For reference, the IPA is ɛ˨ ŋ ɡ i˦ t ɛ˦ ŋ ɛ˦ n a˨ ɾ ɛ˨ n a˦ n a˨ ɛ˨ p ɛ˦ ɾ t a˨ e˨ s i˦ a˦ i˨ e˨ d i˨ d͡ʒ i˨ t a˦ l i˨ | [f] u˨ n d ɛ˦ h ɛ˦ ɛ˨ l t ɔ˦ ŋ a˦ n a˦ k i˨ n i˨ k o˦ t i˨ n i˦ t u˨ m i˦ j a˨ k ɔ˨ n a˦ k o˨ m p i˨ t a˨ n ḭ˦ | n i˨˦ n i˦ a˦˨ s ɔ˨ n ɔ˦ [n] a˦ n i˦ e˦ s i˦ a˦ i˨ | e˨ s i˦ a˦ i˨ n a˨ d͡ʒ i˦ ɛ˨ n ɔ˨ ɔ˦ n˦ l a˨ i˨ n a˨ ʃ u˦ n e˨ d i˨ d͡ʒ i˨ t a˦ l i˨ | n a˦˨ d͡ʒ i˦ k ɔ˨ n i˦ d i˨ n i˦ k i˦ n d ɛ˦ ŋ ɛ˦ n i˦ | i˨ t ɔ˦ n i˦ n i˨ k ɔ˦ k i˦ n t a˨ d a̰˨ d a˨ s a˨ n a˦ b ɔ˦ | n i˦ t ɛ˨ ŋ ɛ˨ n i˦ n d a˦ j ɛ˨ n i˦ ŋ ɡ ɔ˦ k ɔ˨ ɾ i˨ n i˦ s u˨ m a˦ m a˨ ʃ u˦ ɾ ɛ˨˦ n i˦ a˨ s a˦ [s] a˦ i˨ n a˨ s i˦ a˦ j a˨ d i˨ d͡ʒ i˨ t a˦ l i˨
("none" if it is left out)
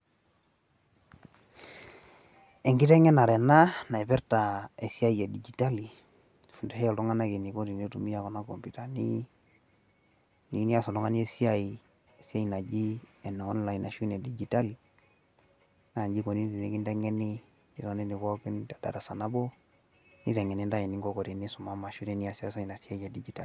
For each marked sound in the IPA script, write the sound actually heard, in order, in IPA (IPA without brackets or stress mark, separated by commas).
f, ŋ, s